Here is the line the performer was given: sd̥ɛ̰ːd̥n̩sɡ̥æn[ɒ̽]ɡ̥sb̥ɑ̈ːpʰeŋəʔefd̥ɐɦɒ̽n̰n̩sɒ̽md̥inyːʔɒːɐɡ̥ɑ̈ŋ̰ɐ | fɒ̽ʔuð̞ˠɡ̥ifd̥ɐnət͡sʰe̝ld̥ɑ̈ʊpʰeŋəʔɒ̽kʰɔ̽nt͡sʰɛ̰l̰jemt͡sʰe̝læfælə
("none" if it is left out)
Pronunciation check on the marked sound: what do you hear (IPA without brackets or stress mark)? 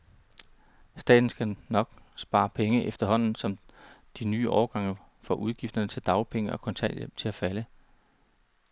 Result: ɒ̽